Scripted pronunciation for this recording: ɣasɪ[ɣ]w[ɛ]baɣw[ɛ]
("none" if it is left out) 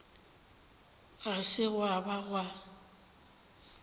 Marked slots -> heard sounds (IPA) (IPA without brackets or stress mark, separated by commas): ɣ, a, a